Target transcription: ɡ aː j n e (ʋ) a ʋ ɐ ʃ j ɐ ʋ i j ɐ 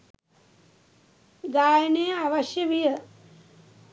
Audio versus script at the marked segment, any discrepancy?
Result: yes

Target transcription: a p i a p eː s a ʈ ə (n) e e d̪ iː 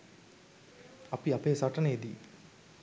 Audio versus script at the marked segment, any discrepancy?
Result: no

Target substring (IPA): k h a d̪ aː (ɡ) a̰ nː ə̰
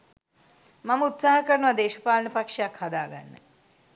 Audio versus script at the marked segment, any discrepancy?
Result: no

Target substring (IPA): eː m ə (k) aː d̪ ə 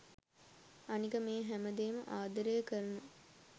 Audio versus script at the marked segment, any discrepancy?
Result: yes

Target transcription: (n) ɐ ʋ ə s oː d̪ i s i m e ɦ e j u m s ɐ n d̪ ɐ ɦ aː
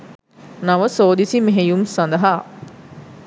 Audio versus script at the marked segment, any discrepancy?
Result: no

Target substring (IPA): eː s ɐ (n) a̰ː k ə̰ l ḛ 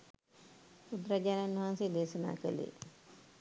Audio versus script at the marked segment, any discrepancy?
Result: no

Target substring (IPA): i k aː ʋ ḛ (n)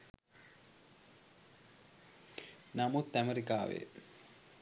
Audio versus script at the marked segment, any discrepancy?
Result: yes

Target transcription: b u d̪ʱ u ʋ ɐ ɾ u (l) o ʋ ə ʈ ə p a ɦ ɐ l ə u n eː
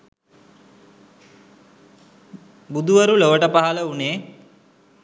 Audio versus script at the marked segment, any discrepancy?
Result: no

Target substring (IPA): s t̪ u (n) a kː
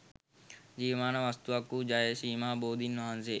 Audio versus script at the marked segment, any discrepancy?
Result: yes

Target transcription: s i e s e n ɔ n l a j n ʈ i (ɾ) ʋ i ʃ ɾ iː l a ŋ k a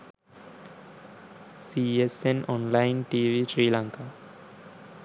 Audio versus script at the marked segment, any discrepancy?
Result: yes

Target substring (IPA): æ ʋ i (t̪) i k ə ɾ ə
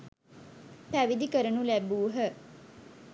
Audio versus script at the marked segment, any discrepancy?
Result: yes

